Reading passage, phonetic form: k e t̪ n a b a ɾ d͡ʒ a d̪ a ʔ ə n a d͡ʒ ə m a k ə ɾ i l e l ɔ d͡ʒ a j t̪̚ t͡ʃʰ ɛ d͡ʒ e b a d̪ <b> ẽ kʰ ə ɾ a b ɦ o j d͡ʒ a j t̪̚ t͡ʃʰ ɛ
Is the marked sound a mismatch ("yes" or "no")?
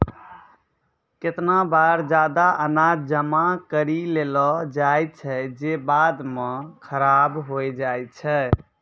yes